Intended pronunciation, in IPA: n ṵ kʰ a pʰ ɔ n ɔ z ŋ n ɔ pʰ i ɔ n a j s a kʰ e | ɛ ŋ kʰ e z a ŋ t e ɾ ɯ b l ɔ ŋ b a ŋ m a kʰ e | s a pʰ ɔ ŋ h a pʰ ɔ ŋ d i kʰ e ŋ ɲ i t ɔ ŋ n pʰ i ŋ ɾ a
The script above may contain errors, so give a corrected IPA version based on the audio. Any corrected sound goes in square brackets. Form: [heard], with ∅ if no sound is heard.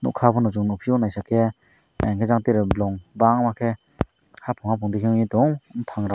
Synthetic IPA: n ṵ kʰ a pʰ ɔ n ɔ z ŋ n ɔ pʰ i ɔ n a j s a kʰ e | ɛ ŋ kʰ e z a ŋ t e ɾ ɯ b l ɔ ŋ b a ŋ m a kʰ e | [h] a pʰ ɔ ŋ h a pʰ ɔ ŋ d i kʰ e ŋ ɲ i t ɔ ŋ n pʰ [a] ŋ ɾ a